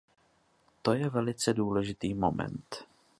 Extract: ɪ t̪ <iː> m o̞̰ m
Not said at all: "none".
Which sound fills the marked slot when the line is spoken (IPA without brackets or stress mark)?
iː